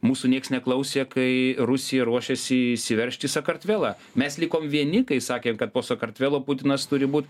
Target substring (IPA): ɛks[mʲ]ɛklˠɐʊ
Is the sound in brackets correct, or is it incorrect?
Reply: incorrect